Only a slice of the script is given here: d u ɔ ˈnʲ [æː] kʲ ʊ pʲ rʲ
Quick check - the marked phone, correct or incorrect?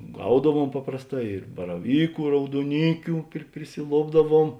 incorrect